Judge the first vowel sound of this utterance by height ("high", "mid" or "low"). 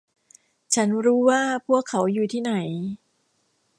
low